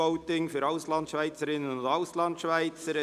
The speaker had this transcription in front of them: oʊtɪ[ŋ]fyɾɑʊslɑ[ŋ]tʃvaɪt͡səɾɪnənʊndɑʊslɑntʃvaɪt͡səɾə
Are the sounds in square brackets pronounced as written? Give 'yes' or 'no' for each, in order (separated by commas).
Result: yes, no